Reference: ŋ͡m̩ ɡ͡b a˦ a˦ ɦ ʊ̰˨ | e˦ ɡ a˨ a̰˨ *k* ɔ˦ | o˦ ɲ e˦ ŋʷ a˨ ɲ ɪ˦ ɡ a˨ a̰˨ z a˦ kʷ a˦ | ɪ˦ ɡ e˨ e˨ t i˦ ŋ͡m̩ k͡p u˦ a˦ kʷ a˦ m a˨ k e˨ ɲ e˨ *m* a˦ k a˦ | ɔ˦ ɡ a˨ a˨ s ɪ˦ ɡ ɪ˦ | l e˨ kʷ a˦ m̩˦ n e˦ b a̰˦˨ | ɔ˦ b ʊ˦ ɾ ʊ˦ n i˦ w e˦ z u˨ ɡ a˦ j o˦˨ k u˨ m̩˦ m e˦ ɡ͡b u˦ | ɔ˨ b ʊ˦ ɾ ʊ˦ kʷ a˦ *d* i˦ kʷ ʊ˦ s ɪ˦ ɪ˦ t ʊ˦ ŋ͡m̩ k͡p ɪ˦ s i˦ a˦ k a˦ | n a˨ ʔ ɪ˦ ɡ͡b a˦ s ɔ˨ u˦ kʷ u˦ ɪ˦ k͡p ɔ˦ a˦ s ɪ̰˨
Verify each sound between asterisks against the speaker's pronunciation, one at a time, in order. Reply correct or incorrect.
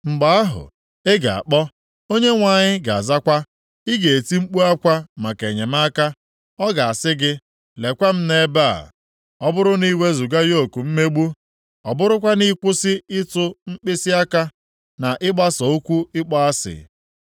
incorrect, correct, incorrect

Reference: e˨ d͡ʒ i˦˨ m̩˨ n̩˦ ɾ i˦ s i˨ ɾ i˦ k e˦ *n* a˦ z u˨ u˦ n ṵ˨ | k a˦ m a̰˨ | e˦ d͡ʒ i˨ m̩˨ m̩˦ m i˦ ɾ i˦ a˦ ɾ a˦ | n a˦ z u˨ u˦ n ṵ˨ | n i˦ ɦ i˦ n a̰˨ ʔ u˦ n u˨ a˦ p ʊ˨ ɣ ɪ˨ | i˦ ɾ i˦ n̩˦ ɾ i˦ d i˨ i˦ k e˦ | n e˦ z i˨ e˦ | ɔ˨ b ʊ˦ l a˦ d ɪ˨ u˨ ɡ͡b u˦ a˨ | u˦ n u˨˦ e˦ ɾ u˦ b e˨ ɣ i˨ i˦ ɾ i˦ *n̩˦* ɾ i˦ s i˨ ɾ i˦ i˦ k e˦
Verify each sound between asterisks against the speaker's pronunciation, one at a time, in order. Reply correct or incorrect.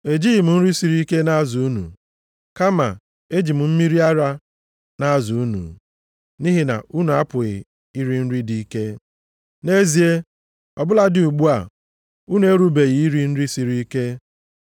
correct, correct

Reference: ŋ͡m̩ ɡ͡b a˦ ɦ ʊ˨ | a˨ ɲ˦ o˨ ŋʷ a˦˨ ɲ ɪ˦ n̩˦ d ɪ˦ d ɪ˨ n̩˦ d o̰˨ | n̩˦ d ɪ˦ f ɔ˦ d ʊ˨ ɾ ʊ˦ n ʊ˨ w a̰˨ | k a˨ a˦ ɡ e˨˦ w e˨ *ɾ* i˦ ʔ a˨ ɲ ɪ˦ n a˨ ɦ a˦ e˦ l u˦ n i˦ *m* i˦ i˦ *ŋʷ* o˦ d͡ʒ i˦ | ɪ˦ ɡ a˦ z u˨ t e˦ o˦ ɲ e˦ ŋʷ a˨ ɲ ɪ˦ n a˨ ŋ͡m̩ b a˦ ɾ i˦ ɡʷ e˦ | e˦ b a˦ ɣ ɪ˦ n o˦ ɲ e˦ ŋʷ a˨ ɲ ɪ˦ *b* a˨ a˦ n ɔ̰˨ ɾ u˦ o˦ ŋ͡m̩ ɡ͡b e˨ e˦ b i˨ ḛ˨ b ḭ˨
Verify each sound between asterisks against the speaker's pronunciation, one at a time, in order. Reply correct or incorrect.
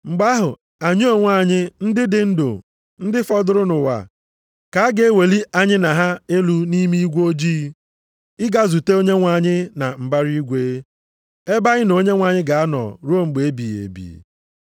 incorrect, correct, incorrect, incorrect

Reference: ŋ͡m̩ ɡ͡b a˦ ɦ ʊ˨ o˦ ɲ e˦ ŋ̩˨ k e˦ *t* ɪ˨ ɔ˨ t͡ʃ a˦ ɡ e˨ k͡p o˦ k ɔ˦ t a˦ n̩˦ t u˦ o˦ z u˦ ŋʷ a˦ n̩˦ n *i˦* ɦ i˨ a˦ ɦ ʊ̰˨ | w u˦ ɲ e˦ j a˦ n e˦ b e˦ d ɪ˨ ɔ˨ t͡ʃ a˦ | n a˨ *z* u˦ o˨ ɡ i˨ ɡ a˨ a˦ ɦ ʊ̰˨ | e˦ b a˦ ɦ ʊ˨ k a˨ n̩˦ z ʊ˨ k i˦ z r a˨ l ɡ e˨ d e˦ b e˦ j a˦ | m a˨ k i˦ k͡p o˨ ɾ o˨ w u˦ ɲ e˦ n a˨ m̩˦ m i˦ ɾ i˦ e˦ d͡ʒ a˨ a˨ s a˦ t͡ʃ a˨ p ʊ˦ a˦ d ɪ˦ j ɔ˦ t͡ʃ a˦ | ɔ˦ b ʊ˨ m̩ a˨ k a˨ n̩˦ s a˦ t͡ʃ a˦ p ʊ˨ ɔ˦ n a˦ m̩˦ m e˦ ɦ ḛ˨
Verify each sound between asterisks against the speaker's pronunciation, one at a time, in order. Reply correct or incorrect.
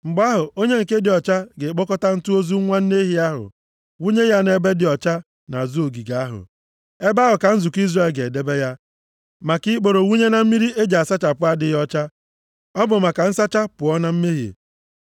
incorrect, incorrect, correct

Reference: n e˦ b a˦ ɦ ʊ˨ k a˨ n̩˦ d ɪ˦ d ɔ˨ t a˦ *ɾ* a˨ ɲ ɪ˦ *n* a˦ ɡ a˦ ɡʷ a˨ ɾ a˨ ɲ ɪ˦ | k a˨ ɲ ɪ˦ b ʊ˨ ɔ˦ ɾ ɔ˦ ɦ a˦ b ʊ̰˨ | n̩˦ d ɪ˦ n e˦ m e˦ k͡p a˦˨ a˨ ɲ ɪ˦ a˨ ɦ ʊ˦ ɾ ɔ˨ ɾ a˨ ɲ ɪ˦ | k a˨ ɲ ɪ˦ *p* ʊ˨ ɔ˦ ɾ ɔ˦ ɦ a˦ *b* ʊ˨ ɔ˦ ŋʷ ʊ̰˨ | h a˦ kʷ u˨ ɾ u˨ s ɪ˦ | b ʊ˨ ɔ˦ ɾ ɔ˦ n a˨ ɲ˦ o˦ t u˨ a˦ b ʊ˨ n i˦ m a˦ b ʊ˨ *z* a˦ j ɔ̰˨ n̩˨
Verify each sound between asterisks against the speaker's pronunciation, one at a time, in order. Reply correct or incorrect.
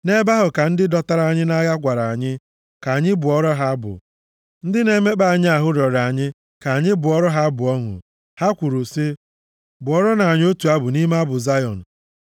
correct, correct, incorrect, correct, correct

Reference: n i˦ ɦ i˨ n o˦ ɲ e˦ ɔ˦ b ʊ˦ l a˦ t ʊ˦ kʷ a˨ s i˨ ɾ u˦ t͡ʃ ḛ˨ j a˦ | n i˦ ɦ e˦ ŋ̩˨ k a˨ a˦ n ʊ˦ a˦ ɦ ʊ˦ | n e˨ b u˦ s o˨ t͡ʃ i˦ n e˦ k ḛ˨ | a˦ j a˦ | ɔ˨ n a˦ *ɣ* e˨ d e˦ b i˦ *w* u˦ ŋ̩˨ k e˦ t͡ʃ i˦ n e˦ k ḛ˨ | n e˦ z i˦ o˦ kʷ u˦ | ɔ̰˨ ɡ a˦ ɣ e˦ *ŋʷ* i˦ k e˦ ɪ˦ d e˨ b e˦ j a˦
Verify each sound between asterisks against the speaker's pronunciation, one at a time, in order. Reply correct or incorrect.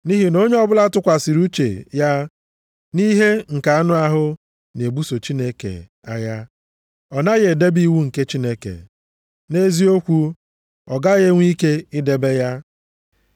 correct, correct, correct

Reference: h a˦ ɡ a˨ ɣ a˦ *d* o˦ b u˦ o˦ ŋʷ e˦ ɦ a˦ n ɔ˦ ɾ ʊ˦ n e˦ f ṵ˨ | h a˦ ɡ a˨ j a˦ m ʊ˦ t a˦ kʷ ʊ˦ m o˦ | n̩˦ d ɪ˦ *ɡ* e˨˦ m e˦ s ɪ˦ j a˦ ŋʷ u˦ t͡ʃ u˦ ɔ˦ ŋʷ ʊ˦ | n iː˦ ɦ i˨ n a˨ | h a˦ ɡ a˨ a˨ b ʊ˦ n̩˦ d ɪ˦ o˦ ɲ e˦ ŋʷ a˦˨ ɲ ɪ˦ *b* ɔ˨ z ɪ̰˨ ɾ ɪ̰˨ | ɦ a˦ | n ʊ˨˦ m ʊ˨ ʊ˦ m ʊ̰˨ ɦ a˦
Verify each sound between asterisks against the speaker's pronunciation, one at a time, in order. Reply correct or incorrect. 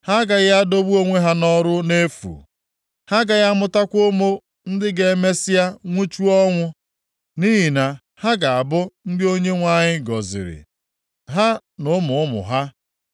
correct, correct, incorrect

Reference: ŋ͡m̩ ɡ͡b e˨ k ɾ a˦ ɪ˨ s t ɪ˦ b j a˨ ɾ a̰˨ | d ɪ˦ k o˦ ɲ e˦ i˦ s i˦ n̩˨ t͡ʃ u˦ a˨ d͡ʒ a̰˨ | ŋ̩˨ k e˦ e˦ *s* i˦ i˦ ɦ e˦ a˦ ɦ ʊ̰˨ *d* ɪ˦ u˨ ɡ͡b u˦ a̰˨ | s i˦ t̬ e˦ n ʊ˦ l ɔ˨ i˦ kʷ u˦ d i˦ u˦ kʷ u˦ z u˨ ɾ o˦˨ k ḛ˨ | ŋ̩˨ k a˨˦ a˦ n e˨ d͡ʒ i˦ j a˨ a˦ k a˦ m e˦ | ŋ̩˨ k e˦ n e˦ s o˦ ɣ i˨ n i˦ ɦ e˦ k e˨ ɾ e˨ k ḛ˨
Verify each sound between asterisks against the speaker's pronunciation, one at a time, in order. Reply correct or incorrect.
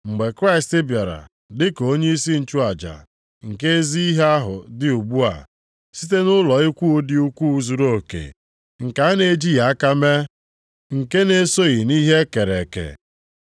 incorrect, correct

